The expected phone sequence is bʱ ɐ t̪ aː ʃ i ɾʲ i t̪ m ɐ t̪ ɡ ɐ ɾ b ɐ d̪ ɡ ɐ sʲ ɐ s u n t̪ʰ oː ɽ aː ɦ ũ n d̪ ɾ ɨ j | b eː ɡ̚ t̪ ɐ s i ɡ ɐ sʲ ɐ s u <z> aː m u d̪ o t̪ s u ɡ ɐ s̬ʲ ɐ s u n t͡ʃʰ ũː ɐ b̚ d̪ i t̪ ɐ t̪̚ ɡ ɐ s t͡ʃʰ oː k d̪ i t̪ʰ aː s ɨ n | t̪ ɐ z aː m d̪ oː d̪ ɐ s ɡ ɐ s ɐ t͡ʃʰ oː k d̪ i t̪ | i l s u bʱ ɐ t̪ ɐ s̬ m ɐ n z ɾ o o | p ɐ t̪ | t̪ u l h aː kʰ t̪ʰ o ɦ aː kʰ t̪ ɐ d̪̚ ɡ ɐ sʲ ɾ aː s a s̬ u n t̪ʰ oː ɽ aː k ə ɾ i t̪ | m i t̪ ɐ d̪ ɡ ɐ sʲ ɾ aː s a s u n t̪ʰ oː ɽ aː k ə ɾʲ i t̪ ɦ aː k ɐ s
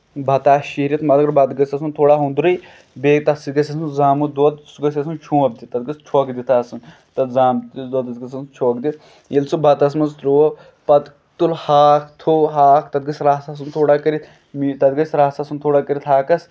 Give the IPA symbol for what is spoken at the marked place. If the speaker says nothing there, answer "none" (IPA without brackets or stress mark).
z